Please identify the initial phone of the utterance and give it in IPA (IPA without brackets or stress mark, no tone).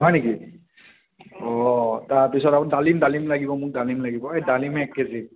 ɦ